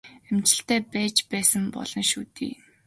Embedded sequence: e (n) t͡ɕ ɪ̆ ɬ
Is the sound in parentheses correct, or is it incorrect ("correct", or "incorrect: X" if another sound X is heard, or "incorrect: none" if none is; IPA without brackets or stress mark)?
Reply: incorrect: m